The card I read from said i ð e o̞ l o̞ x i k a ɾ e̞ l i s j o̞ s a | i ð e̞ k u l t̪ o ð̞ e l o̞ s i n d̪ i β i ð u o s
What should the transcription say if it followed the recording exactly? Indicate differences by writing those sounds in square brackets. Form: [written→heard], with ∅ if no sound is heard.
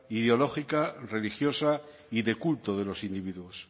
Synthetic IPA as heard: i ð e o̞ l o̞ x i k a [ɾ→r] e̞ l i [s→x] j o̞ s a | i ð e̞ k u l t̪ o ð̞ e l o̞ s i n d̪ i β i ð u o s